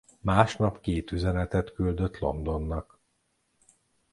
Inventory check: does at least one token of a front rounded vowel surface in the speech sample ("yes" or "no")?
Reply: yes